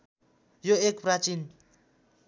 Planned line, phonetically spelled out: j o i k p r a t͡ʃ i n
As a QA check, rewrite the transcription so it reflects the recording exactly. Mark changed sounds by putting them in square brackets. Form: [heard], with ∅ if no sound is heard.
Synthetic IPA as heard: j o [e] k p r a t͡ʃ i n